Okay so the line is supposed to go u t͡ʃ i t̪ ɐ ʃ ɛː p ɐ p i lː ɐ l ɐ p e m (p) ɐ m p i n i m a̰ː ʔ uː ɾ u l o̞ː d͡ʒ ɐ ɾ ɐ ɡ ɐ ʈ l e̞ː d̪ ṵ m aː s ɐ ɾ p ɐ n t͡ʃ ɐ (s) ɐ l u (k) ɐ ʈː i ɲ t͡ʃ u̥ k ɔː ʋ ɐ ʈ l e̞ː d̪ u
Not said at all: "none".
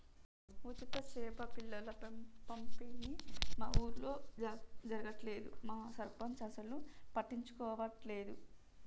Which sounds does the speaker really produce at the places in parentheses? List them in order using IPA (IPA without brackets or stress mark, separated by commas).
p, s, p